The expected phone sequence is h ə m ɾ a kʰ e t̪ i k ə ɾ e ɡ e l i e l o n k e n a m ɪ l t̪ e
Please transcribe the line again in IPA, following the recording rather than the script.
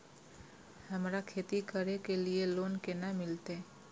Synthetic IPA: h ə m ɾ a kʰ e t̪ i k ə ɾ e k e l i e l o n k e n a m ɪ l t̪ e